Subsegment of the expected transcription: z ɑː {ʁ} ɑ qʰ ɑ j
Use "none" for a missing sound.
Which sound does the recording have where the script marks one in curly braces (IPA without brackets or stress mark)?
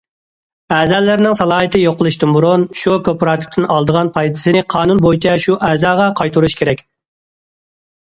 ʁ